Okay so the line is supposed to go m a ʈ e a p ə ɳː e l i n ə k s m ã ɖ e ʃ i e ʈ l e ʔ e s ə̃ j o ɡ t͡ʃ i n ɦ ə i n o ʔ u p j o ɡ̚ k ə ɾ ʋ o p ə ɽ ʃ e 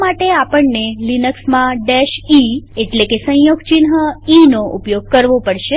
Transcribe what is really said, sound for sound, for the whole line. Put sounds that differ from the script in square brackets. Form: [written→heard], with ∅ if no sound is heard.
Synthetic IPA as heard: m a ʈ e a p ə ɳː e l i n ə k s m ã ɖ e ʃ i e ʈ l e [ʔ→k] e s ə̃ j o ɡ t͡ʃ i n ɦ ə i n o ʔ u p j o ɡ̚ k ə ɾ ʋ o p ə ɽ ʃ e